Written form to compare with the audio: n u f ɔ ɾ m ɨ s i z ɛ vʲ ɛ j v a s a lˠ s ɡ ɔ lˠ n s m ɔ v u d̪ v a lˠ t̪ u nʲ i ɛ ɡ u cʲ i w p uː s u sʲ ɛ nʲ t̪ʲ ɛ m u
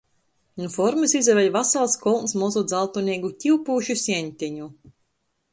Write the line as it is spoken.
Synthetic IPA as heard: n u f ɔ ɾ m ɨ s i z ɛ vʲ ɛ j v a s a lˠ s k ɔ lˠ n s m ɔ z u d̪ z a lˠ t̪ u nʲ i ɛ ɡ u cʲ i w p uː ʃ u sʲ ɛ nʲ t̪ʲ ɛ ɲ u